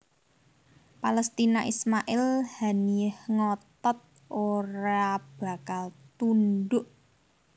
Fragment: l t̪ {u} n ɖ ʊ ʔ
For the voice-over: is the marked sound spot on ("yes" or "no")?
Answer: yes